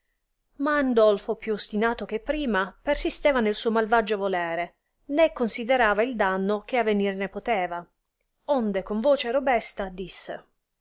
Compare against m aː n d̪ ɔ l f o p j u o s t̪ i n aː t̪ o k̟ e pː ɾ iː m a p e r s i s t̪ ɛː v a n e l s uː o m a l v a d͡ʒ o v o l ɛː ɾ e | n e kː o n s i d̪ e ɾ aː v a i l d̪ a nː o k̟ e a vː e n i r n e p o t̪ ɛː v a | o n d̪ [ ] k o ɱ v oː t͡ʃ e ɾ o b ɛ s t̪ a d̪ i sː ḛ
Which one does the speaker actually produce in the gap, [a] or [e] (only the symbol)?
e